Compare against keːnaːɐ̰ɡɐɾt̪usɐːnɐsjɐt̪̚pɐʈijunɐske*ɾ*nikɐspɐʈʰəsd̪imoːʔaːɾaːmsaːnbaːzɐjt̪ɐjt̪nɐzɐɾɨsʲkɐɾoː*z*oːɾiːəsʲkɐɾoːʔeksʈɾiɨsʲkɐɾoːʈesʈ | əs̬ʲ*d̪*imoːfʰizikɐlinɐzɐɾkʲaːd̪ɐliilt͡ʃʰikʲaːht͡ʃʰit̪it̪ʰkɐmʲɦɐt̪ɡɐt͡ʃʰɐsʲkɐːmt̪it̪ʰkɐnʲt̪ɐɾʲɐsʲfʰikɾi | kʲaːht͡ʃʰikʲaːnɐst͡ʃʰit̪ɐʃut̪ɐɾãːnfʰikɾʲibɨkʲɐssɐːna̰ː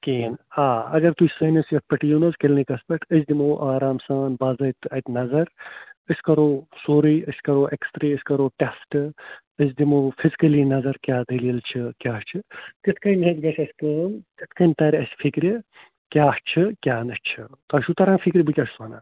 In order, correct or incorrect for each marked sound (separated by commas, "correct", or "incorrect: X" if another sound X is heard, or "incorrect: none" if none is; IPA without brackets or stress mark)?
incorrect: l, incorrect: s, correct